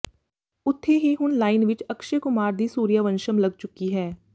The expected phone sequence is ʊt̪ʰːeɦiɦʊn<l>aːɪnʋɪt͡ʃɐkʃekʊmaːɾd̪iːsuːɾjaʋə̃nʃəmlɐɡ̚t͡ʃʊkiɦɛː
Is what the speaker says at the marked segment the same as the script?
yes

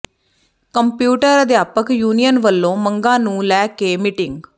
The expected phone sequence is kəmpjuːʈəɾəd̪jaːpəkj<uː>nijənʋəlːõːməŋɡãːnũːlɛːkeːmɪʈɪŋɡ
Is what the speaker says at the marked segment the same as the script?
yes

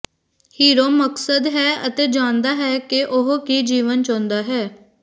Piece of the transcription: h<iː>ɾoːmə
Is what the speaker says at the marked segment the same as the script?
yes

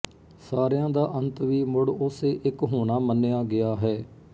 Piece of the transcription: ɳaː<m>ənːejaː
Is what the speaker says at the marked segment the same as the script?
yes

